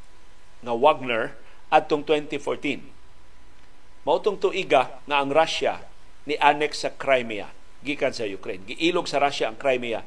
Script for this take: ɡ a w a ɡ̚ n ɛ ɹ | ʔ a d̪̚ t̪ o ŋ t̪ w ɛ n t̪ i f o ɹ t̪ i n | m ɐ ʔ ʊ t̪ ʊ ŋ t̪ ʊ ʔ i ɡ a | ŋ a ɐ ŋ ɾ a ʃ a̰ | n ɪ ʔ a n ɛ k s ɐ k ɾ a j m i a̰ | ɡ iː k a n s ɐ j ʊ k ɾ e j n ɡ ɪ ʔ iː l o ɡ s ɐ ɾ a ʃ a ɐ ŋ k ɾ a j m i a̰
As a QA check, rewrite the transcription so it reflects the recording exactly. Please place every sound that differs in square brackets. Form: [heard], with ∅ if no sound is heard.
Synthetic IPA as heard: [ŋ] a w a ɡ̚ n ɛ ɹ | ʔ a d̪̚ t̪ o ŋ t̪ w ɛ n t̪ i f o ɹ t̪ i n | m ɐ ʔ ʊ t̪ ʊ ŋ t̪ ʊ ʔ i ɡ a | ŋ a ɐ ŋ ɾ a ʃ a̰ | n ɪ ʔ a n ɛ k s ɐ k ɾ a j m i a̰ | ɡ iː k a n s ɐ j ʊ k ɾ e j n ɡ ɪ ʔ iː l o ɡ s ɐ ɾ a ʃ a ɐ ŋ k ɾ a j m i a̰